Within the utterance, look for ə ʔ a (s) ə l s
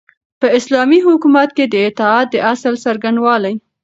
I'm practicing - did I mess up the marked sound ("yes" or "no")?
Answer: no